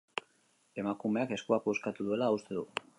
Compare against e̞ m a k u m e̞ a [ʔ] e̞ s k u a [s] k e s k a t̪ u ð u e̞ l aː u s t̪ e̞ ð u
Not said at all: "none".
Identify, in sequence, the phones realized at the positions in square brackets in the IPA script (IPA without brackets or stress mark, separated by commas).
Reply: k, none